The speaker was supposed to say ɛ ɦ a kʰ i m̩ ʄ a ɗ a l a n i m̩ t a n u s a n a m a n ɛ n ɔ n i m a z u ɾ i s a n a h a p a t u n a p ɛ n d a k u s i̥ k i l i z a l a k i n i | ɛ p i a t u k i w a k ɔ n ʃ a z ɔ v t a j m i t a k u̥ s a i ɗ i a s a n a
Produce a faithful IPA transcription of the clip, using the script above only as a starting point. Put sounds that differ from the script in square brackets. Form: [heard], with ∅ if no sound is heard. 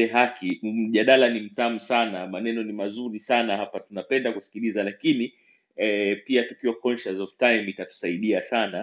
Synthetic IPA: ɛ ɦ a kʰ i m̩ ʄ a ɗ a l a n i m̩ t a [m] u s a n a m a n ɛ n ɔ n i m a z u ɾ i s a n a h a p a t u n a p ɛ n d a k u s i̥ k i l i z a l a k i n i | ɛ p i a t u k i w a k ɔ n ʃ a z ɔ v t a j m i t a [t] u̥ s a i ɗ i a s a n a